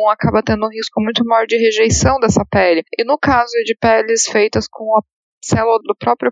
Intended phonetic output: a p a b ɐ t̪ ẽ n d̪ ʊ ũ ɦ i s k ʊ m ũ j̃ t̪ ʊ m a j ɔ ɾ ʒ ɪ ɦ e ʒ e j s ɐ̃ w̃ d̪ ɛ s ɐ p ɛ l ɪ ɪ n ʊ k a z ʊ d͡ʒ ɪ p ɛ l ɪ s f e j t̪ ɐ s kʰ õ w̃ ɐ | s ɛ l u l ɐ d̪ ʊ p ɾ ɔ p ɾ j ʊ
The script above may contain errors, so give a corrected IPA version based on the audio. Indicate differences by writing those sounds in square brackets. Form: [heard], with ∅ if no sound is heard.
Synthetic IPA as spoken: a [k] a b ɐ t̪ ẽ n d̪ ʊ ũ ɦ i s k ʊ m ũ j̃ t̪ ʊ m a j ɔ ɾ [d͡ʒ] ɪ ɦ e ʒ e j s ɐ̃ w̃ d̪ ɛ s ɐ p ɛ l ɪ ɪ n ʊ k a z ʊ d͡ʒ ɪ p ɛ l ɪ s f e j t̪ ɐ s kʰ õ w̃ ɐ | s ɛ l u l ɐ d̪ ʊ p ɾ ɔ p ɾ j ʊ